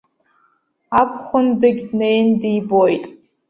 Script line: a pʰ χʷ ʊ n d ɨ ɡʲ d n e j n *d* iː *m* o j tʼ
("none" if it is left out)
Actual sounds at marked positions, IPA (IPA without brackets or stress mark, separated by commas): d, b